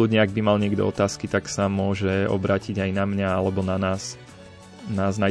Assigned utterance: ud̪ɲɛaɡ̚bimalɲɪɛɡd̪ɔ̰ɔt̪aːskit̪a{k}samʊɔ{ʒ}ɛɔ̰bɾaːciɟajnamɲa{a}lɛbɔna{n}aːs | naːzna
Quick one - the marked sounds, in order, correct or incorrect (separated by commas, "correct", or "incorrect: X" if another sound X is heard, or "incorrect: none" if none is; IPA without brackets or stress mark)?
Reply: correct, correct, correct, correct